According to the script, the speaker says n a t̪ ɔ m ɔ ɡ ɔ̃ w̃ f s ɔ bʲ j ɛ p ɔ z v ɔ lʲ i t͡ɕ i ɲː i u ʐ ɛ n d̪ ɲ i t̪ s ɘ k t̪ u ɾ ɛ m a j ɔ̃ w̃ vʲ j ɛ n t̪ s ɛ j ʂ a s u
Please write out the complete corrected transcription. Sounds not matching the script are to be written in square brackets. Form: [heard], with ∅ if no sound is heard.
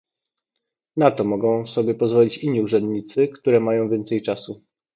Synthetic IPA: n a t̪ ɔ m ɔ ɡ ɔ̃ w̃ f s ɔ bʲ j ɛ p ɔ z v ɔ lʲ i t͡ɕ i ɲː i u ʐ ɛ n d̪ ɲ i t̪ s ɘ k t̪ u ɾ ɛ m a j ɔ̃ w̃ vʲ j ɛ n t̪ s ɛ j [t͡ʂ] a s u